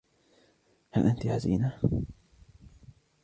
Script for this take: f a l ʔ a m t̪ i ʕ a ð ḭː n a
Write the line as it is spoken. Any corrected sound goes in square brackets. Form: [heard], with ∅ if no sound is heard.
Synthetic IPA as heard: [h] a l ʔ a [n] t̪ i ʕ a [z] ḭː n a